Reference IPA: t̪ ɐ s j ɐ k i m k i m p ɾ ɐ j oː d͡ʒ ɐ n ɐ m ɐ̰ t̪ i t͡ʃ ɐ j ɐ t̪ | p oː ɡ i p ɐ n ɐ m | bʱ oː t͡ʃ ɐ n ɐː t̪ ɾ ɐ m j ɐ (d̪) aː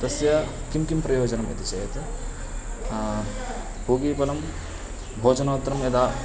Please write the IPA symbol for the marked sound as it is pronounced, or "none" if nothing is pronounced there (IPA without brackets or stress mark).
d̪